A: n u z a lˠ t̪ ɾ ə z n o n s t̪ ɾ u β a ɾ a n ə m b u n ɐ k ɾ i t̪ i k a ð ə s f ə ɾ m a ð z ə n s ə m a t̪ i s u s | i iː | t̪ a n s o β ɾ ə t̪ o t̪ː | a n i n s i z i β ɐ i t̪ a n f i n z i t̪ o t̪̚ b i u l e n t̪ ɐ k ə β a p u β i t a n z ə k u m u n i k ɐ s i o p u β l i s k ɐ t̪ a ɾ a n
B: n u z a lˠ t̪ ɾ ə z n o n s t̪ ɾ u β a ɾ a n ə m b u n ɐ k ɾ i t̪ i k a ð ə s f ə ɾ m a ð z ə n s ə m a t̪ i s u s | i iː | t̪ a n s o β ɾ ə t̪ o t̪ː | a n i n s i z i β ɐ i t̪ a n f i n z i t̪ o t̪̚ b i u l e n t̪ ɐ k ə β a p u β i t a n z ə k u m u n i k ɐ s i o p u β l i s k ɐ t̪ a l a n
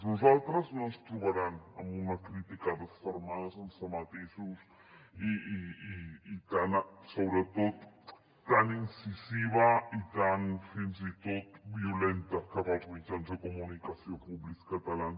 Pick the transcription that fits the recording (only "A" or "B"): B